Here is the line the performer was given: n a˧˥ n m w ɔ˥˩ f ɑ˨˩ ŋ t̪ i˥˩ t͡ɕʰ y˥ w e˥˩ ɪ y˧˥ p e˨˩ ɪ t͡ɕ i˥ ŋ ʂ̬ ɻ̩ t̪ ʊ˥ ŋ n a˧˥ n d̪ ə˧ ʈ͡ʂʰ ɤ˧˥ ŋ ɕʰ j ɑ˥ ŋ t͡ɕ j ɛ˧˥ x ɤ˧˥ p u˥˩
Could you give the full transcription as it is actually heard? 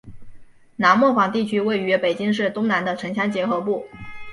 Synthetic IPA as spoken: n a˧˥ n m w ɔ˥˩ f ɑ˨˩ ŋ t̪ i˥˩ t͡ɕʰ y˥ w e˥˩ ɪ y˧˥ p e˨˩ ɪ t͡ɕ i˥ ŋ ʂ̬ ɻ̩ t̪ ʊ˥ ŋ n a˧˥ n d̪ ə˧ ʈ͡ʂʰ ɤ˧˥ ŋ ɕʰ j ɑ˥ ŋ t͡ɕ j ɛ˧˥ x ɤ˧˥ p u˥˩

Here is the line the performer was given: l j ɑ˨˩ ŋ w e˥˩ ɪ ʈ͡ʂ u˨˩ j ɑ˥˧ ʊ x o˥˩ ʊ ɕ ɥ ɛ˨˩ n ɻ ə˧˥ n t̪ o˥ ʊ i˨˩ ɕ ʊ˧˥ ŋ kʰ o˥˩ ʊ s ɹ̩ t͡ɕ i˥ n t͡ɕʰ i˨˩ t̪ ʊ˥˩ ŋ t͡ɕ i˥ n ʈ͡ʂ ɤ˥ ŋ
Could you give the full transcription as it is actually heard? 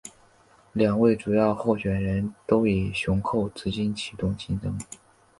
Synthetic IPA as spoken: l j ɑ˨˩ ŋ w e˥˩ ɪ ʈ͡ʂ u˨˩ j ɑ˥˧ ʊ x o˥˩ ʊ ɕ ɥ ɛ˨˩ n ɻ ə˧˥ n t̪ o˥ ʊ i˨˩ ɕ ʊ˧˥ ŋ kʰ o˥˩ ʊ t͡s ɹ̩ t͡ɕ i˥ n t͡ɕʰ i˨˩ t̪ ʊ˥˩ ŋ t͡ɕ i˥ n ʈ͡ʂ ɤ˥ ŋ

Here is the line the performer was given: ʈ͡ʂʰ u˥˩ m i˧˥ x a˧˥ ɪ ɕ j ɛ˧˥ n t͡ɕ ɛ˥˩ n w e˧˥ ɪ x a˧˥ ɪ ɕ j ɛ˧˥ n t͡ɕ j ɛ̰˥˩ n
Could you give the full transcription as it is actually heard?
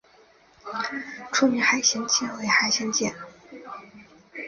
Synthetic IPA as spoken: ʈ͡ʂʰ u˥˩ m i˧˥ x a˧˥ ɪ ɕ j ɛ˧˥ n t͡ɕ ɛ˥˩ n w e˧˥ ɪ x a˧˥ ɪ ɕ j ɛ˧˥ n t͡ɕ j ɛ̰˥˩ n

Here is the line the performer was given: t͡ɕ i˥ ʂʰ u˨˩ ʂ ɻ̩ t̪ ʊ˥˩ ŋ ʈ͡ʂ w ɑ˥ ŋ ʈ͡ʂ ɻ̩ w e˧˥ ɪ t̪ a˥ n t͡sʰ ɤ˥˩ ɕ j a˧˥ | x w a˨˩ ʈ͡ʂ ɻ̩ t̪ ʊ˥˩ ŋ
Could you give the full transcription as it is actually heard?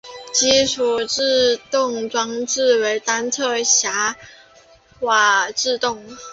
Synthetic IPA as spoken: t͡ɕ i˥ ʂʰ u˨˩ ʈ͡ʂ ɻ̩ t̪ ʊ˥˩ ŋ ʈ͡ʂ w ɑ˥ ŋ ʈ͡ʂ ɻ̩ w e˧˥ ɪ t̪ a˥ n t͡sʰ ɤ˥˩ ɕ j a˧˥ | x w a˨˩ ʈ͡ʂ ɻ̩ t̪ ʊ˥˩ ŋ

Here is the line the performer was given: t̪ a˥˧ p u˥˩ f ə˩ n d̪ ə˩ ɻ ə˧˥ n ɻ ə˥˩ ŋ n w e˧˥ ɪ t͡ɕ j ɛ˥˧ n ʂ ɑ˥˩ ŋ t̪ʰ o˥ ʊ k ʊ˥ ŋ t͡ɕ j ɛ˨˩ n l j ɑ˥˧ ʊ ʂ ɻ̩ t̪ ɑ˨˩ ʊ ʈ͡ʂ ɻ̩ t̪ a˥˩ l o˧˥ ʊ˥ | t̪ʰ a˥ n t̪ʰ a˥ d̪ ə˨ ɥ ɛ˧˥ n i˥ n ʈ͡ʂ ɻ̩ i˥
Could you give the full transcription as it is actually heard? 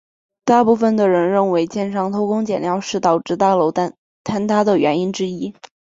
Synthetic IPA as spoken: t̪ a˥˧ p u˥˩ f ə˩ n d̪ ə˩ ɻ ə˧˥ n ɻ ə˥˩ n w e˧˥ ɪ t͡ɕ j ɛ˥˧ n ʂ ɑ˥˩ ŋ t̪ʰ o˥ ʊ k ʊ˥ ŋ t͡ɕ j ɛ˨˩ n l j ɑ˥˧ ʊ ʂ ɻ̩ t̪ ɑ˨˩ ʊ ʈ͡ʂ ɻ̩ t̪ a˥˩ l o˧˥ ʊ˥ | t̪ʰ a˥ n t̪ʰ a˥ d̪ ə˨ ɥ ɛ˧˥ n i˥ n ʈ͡ʂ ɻ̩ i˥

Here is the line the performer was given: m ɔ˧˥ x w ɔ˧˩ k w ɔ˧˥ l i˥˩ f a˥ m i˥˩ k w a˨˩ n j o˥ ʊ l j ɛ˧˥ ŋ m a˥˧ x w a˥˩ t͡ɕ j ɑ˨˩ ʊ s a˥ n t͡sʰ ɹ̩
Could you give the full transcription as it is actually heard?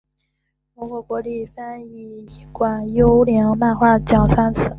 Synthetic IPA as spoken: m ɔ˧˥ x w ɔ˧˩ k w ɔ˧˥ l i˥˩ f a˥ n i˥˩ k w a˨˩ n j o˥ ʊ l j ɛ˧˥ ŋ m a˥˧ x w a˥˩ t͡ɕ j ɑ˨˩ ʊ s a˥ n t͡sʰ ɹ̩

